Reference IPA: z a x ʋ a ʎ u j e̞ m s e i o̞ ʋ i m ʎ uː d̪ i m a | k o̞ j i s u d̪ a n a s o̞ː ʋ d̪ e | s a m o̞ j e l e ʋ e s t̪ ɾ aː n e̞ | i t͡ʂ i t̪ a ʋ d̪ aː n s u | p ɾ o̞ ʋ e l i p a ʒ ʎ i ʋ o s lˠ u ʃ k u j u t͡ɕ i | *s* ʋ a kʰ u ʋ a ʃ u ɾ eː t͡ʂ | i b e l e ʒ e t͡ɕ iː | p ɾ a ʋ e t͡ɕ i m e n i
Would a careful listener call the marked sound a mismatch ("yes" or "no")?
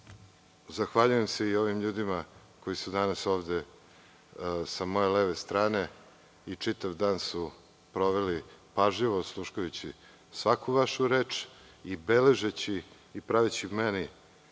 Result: no